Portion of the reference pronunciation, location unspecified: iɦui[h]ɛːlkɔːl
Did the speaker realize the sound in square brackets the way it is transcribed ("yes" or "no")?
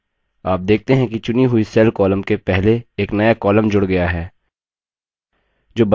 no